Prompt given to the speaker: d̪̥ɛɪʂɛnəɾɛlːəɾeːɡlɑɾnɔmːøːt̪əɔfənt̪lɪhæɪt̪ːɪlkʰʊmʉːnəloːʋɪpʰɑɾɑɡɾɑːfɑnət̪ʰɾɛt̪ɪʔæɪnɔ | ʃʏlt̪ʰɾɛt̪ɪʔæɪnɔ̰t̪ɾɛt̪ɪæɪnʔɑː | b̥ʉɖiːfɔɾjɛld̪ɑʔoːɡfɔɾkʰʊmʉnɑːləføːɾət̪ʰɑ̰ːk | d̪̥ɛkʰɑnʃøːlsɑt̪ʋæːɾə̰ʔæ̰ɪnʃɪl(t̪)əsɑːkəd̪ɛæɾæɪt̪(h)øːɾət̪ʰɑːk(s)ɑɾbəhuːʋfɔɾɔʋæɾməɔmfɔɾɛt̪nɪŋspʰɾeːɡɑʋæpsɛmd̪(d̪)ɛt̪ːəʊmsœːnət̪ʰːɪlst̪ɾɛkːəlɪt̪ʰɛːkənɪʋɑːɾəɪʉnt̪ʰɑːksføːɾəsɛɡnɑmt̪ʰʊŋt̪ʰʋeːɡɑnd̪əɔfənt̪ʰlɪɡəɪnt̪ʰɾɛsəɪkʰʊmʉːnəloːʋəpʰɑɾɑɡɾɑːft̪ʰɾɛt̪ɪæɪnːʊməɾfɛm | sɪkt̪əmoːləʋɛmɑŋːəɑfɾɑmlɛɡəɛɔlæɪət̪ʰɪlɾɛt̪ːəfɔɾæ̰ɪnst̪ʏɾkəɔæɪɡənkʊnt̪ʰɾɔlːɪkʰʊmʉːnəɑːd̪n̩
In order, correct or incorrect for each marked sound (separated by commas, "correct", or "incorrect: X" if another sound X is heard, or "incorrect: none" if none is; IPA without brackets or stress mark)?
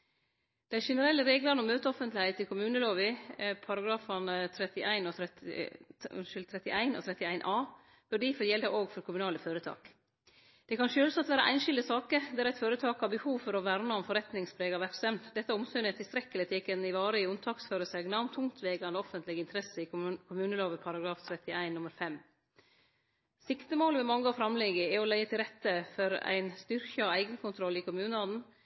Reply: incorrect: d̪, incorrect: f, incorrect: h, correct